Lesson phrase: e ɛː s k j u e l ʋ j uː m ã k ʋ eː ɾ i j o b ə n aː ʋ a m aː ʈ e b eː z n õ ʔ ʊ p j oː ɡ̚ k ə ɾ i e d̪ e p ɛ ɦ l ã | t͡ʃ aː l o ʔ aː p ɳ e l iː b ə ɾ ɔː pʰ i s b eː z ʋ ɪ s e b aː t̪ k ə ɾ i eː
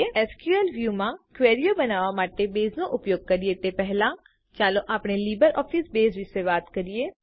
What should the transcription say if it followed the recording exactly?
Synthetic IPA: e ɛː s k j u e l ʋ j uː m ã k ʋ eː ɾ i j o b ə n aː ʋ a m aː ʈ e b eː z n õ ʔ ʊ p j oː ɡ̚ k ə ɾ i e t̪ e p ɛ ɦ l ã | t͡ʃ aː l o ʔ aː p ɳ e l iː b ə ɾ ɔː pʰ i s b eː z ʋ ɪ s e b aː t̪ k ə ɾ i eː